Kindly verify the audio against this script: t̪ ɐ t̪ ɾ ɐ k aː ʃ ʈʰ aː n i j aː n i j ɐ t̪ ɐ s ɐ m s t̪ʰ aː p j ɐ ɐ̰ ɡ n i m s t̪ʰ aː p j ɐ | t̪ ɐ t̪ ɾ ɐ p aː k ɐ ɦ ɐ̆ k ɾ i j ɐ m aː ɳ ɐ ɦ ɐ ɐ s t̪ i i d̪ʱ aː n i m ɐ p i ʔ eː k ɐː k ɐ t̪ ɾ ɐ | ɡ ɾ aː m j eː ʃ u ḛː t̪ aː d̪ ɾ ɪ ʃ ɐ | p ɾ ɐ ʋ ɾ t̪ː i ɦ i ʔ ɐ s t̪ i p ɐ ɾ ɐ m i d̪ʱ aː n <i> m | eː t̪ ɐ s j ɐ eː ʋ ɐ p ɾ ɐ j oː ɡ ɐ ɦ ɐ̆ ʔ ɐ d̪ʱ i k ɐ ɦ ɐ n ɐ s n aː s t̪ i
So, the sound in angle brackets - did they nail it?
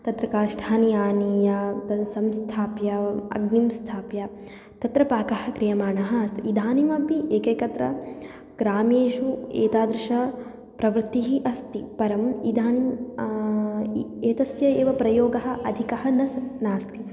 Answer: yes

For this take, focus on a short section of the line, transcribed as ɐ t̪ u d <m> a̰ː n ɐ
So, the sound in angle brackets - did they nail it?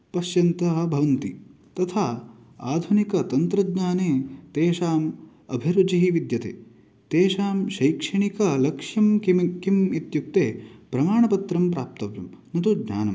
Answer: no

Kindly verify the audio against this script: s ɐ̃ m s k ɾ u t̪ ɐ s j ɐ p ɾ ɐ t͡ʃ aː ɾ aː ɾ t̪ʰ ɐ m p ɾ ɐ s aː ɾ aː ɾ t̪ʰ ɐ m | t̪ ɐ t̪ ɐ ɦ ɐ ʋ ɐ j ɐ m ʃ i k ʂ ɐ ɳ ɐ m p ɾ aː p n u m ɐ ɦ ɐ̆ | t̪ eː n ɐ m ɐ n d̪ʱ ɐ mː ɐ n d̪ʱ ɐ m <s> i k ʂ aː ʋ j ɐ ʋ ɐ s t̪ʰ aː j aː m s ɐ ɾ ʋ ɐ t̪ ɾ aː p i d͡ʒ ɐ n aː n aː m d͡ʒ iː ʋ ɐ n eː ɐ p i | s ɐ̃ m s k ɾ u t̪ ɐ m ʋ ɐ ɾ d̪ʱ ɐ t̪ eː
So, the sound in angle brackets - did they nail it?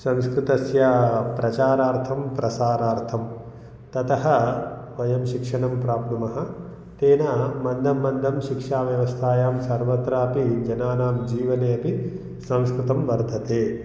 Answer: no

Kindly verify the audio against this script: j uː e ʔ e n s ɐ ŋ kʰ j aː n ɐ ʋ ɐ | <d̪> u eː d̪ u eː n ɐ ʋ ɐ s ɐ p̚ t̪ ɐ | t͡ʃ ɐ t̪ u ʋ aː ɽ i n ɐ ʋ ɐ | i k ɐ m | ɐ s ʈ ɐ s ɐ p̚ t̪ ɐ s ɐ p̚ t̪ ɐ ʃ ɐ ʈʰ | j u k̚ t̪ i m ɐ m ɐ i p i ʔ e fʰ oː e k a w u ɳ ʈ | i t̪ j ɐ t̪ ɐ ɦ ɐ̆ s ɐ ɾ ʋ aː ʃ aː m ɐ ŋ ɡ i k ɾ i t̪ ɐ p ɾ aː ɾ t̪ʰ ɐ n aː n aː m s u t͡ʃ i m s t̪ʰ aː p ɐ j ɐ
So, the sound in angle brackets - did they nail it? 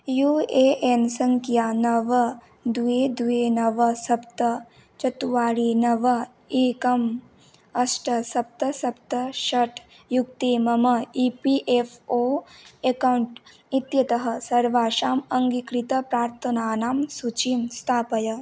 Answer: yes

